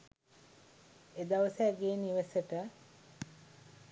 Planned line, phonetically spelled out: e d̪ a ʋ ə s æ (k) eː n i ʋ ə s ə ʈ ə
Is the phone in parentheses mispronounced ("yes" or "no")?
yes